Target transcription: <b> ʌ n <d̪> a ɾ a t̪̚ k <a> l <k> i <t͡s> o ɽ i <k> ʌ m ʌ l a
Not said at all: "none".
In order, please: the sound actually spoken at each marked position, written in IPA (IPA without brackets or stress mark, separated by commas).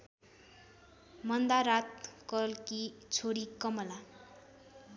m, d̪, ʌ, k, t͡sʰ, k